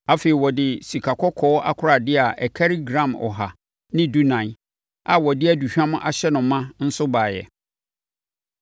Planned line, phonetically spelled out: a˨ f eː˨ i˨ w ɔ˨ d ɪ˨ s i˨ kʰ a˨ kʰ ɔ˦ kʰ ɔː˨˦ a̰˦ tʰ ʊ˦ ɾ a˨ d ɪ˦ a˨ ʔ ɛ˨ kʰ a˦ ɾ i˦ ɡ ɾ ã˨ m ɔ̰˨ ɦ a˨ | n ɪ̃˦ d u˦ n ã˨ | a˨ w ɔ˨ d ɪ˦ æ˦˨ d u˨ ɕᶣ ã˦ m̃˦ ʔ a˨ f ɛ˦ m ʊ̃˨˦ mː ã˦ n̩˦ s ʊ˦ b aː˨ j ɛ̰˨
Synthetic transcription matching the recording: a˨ f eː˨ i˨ w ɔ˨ d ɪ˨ s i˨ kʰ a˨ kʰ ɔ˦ kʰ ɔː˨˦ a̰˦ kʰ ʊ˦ ɾ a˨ d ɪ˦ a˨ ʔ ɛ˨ kʰ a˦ ɾ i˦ ɡ ɾ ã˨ m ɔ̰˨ ɦ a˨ | n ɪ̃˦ d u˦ n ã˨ | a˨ w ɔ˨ d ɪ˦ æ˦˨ d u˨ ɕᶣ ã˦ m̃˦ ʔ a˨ ɕ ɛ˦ n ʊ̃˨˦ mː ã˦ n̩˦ s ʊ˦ b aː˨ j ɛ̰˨